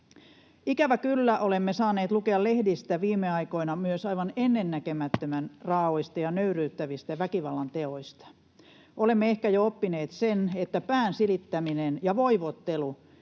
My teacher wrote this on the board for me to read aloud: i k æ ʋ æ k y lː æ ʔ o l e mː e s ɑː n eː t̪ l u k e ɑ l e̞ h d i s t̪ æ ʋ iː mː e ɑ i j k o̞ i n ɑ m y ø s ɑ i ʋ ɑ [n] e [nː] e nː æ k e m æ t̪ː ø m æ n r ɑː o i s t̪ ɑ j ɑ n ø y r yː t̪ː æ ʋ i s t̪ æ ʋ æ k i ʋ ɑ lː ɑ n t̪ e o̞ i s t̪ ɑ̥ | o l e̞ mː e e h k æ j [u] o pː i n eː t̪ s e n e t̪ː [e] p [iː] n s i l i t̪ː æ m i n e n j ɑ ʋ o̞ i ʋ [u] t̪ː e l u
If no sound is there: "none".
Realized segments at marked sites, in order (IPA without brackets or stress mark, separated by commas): n, nː, o, æ, æː, o